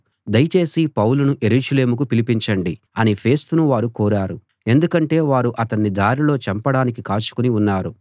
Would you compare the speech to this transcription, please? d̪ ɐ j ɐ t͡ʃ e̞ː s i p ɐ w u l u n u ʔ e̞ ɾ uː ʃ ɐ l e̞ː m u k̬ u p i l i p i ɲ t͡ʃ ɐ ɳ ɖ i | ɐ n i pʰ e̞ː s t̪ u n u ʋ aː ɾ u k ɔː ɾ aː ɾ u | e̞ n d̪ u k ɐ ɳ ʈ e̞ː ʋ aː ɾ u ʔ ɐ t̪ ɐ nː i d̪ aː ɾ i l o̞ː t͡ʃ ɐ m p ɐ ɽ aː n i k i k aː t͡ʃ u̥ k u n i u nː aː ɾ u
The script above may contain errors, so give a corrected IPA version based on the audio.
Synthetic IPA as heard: d̪ ɐ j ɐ t͡ʃ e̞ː s i p ɐ w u l u n u ʔ e̞ ɾ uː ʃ ɐ l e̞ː m u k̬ u p i l i p i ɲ t͡ʃ ɐ ɳ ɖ i | ɐ n i pʰ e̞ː s t̪ u n u ʋ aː ɾ u k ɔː ɾ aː ɾ u | e̞ n d̪ u k ɐ ɳ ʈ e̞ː ʋ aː ɾ u ʔ ɐ t̪ ɐ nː i d̪ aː ɾ i l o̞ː t͡ʃ ɐ m p ɐ ɽ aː n i k i k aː t͡ʃ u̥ k u n i u nː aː ɾ u